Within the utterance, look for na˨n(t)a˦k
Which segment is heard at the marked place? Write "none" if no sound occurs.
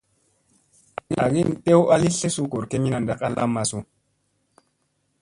d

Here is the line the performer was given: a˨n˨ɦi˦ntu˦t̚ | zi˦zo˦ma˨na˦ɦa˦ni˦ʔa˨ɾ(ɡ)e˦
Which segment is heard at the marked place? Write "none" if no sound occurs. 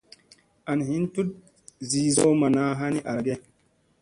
ɡ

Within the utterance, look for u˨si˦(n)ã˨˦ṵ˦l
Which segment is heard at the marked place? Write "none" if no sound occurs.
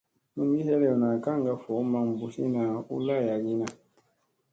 n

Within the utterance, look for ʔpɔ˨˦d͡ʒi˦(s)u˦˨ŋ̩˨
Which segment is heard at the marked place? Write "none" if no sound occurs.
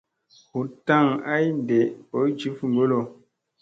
f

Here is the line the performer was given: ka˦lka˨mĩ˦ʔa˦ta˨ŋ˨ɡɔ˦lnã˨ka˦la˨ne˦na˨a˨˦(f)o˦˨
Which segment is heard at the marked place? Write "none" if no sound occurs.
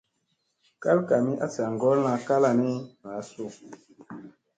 s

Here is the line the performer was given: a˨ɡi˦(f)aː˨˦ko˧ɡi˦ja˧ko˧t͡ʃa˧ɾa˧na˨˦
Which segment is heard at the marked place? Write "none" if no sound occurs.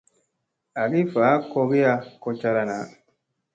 f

